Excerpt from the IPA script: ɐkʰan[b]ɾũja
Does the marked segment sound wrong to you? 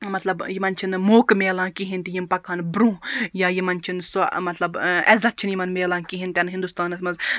no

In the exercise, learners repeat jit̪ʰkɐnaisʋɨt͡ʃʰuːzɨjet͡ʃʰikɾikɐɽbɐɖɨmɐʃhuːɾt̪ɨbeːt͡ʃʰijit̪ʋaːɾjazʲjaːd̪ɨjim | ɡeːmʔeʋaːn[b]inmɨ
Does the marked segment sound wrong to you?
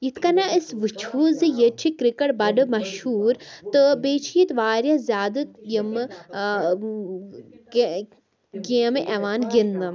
yes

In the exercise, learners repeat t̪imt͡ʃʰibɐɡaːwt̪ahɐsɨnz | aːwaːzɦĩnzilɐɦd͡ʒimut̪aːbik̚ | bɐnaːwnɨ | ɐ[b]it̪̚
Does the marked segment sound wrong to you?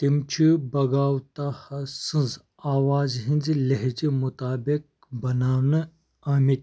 yes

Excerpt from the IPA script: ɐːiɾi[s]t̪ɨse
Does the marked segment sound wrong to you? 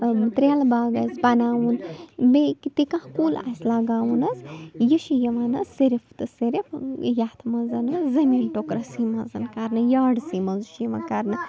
yes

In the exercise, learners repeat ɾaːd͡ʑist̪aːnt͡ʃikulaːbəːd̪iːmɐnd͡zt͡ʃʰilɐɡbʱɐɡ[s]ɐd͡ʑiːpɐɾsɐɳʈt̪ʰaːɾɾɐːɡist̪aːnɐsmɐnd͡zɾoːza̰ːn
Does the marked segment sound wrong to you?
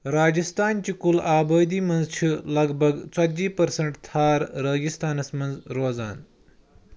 yes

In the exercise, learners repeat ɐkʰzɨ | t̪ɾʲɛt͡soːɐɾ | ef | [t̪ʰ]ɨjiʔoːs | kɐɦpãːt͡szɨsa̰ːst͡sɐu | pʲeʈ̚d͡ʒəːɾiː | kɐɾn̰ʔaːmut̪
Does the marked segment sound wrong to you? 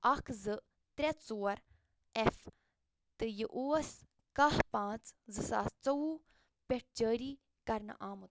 yes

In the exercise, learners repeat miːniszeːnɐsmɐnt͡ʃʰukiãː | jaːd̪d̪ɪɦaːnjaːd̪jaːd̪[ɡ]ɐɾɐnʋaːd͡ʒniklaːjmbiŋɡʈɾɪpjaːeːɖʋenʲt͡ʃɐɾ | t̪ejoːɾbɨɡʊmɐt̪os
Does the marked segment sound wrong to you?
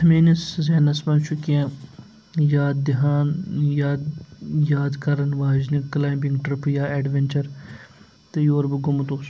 yes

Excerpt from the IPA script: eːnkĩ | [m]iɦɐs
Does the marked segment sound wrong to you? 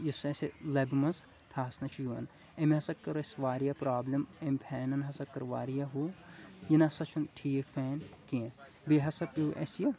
yes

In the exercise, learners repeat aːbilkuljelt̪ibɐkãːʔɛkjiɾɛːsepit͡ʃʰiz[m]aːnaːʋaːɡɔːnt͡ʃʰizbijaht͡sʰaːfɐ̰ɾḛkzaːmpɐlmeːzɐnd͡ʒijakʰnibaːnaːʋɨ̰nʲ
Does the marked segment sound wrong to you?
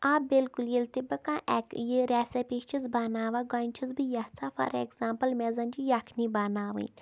yes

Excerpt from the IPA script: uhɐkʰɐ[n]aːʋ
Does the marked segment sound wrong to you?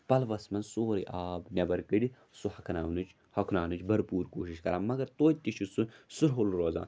no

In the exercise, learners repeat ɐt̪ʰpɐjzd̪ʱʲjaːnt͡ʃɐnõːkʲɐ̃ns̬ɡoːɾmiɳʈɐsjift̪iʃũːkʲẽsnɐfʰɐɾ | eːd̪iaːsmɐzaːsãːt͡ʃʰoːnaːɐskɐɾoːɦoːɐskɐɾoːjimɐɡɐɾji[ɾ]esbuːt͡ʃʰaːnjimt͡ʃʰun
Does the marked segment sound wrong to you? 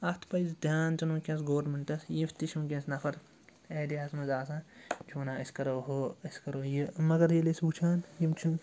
yes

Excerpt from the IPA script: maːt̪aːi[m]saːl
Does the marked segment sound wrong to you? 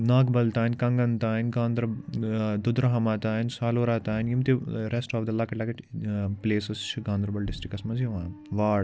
yes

